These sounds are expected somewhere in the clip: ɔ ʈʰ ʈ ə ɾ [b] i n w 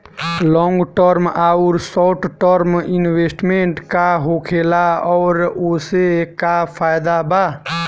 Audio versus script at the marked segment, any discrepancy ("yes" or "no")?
yes